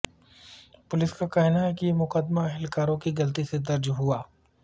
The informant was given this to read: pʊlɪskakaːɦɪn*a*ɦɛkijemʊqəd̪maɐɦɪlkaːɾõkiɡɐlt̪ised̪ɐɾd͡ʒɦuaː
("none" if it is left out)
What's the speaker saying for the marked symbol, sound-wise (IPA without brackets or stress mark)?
a